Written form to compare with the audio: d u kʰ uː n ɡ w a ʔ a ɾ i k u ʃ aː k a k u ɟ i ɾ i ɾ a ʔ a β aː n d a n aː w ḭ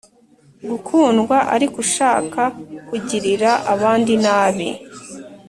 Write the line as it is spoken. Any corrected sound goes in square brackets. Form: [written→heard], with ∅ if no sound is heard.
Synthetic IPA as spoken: [d→ɡ] u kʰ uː n ɡ w a ʔ a ɾ i k u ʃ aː k a k u ɟ i ɾ i ɾ a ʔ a β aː n d [a→i] n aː [w→β] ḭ